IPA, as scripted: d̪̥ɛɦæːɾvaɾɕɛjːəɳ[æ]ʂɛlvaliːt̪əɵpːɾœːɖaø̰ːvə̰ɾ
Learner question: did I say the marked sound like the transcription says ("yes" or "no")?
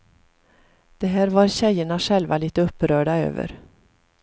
no